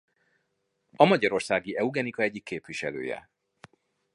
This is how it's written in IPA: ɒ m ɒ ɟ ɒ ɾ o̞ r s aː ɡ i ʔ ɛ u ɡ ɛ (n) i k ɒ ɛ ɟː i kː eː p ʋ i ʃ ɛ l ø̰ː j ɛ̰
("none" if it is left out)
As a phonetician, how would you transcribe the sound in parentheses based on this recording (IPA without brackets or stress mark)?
n